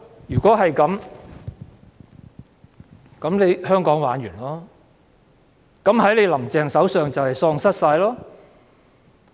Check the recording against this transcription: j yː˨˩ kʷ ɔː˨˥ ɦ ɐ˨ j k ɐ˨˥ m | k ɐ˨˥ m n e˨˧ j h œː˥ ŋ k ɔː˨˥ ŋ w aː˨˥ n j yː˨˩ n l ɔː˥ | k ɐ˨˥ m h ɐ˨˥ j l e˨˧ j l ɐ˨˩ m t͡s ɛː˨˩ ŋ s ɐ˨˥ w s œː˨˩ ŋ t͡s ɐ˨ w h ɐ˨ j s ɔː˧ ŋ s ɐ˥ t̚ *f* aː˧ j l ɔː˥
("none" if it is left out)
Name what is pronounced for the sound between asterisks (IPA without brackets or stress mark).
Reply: s